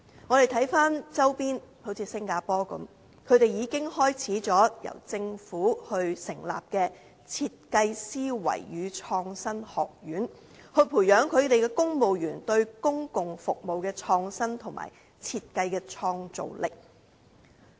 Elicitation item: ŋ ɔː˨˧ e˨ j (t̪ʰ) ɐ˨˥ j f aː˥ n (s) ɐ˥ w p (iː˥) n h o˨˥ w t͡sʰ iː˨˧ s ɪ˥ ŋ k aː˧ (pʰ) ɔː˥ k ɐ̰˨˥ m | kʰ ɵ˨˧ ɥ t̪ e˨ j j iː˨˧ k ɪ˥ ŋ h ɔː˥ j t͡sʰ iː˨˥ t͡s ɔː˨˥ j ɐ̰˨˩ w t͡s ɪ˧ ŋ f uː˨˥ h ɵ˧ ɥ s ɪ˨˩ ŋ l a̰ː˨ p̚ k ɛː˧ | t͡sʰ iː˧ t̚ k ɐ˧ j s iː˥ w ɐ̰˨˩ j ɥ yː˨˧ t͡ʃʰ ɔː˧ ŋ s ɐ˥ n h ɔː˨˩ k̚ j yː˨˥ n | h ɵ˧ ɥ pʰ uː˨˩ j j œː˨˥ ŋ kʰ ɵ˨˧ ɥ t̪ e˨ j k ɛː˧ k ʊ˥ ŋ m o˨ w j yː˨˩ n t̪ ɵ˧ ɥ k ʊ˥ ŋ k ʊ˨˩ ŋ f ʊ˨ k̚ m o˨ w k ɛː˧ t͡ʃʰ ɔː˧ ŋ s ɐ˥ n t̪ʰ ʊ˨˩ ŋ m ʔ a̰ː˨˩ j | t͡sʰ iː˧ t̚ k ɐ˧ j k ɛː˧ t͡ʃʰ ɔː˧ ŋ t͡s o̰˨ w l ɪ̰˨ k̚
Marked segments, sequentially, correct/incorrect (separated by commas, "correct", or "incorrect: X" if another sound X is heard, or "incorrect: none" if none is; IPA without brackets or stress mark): correct, incorrect: t͡s, correct, incorrect: p